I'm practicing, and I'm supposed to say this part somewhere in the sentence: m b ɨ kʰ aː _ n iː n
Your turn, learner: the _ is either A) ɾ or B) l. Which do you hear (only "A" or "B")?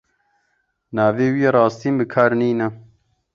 A